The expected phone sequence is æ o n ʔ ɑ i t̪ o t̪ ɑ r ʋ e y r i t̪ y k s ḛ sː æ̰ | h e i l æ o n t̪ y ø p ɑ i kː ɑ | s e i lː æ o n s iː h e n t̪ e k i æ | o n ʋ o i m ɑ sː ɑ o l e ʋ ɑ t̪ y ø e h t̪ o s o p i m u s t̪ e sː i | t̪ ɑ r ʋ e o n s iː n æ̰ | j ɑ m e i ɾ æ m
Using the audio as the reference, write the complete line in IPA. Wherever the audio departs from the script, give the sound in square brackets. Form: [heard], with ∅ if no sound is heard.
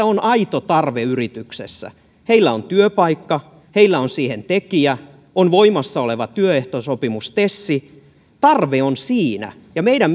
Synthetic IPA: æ o n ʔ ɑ i t̪ o t̪ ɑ r ʋ e y r i t̪ y k s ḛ sː æ̰ | h e i [lː] æ o n t̪ y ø p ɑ i kː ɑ | [h] e i lː æ o n s iː h e n t̪ e k i æ | o n ʋ o i m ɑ sː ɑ o l e ʋ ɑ t̪ y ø e h t̪ o s o p i m u s t̪ e sː i | t̪ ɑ r ʋ e o n s iː n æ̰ | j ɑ m e i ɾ æ m